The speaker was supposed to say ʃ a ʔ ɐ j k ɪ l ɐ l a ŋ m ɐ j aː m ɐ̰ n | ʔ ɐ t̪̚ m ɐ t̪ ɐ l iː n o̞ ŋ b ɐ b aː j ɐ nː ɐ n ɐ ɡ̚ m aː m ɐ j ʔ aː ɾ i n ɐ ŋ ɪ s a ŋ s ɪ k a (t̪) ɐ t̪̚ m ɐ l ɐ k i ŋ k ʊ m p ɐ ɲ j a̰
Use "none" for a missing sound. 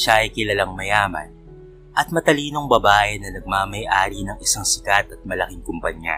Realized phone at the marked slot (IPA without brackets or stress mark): t̪